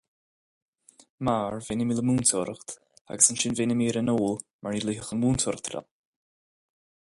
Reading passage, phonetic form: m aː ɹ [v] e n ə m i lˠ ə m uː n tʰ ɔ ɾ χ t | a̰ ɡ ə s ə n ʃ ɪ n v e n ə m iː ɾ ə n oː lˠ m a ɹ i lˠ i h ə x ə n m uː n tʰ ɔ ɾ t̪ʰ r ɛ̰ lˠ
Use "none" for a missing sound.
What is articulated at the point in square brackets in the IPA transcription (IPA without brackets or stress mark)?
v